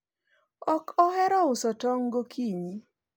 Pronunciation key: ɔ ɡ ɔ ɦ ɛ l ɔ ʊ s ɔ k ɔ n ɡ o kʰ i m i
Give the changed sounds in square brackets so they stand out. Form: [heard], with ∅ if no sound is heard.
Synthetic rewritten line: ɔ [k] ɔ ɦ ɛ [ɾ] ɔ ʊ s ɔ [t] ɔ [ŋ] ɡ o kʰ i [ɲ] i